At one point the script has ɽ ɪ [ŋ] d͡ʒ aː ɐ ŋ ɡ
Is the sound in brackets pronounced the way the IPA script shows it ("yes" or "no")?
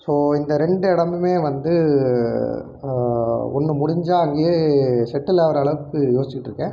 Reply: no